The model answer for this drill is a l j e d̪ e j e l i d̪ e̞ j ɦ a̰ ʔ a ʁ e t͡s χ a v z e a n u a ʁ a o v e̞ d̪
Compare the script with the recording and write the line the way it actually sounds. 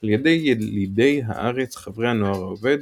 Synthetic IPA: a l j e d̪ e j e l i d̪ e̞ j ɦ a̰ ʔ a ʁ e t͡s χ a v ʁ e a n o a ʁ a o v e̞ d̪